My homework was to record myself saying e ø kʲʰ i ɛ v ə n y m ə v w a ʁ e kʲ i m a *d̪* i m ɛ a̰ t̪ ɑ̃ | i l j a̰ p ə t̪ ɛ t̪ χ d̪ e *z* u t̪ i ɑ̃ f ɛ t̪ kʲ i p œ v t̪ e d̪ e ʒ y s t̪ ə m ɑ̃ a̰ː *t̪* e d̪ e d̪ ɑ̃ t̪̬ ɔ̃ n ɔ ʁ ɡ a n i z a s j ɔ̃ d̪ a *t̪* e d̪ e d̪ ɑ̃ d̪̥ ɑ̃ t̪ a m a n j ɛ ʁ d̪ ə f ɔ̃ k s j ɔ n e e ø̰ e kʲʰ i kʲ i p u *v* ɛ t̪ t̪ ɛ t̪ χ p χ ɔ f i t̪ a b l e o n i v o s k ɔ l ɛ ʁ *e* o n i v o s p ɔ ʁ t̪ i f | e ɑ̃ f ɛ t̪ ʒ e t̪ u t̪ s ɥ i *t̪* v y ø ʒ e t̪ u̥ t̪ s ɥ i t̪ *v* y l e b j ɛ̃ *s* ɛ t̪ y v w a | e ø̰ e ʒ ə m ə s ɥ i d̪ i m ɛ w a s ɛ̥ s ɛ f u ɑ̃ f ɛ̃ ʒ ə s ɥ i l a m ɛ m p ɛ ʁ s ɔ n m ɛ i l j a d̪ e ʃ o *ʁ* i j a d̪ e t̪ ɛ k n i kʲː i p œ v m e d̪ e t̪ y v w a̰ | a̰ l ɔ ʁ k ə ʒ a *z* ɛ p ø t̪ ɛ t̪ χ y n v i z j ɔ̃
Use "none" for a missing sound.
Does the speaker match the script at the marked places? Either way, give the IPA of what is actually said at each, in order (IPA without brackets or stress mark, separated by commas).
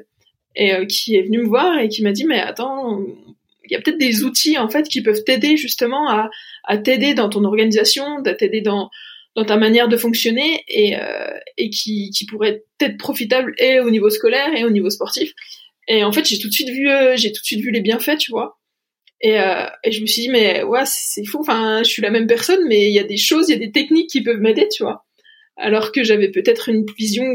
d̪, z, t̪, t̪, ʁ, e, t̪, v, f, z, v